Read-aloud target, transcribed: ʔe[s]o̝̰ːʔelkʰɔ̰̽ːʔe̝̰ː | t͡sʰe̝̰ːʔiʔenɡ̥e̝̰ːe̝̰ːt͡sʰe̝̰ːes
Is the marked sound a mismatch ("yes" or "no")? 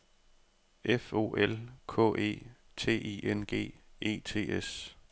yes